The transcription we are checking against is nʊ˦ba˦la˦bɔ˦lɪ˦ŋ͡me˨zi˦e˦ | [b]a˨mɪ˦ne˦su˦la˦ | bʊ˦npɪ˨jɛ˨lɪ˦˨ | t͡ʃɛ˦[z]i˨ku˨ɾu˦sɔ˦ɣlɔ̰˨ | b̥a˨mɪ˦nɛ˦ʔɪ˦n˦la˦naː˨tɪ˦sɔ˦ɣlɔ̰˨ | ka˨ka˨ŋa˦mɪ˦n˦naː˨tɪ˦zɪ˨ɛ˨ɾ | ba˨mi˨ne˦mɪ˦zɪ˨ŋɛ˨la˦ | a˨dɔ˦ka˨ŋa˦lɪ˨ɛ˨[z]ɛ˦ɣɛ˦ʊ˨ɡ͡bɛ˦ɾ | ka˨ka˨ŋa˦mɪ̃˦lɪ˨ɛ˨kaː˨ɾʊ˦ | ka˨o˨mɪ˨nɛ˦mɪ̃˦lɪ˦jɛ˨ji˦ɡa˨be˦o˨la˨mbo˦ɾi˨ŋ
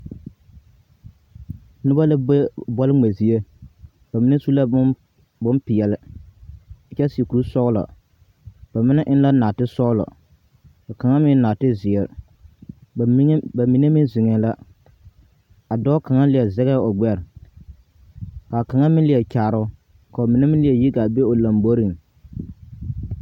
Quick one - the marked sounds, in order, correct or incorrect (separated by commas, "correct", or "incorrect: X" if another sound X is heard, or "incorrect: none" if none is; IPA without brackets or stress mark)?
correct, incorrect: s, correct